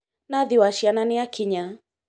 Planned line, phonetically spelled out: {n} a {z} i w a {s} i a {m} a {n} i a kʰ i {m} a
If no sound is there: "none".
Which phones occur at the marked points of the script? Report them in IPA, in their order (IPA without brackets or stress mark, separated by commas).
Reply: n, ð, ʃ, n, n, ɲ